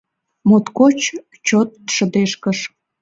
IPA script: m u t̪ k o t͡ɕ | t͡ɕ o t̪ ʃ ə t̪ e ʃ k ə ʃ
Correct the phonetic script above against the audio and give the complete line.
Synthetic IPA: m o t̪ k o t͡ɕ | t͡ɕ o t̪ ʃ ə d̪ e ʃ k ə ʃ